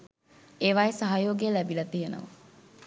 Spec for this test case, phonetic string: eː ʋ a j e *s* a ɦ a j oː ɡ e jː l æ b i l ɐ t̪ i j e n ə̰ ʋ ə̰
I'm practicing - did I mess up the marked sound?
no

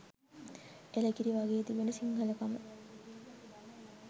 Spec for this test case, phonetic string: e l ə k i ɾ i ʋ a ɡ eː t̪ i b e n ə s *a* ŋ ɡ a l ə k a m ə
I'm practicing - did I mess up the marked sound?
yes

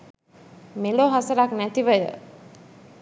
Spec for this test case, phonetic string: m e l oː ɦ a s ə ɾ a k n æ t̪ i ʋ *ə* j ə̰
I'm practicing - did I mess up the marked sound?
no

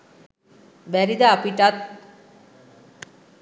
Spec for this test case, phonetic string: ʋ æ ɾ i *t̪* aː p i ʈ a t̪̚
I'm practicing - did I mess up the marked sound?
yes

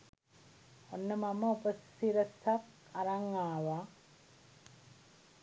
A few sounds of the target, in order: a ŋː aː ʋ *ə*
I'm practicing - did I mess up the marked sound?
yes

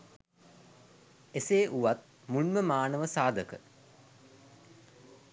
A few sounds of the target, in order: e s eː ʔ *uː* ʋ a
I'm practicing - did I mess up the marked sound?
yes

